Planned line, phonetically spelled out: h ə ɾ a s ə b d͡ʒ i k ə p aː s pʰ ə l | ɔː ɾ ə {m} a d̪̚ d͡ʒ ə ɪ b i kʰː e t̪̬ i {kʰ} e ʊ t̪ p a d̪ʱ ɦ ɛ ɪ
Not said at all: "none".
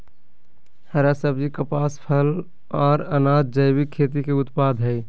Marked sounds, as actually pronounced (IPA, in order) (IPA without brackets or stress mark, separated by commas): n, k